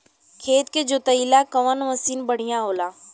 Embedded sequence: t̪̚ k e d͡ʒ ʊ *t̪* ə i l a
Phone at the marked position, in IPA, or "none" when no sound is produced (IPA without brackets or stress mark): t̪